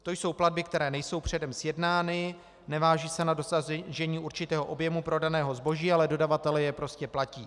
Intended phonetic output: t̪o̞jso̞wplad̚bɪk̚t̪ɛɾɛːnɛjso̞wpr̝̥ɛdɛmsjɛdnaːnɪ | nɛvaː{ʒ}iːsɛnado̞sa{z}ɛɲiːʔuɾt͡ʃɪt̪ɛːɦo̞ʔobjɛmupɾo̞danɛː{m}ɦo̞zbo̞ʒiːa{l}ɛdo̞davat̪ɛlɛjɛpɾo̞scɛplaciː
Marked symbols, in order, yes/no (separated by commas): yes, no, no, yes